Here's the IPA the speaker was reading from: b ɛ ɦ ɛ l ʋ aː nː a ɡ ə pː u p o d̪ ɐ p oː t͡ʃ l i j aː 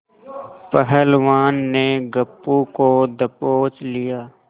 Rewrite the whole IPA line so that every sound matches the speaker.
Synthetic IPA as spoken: p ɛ ɦ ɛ l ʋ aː nː e ɡ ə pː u k o d̪ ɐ p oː t͡ʃ l i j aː